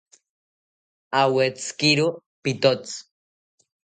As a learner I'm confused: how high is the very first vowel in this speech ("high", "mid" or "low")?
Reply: low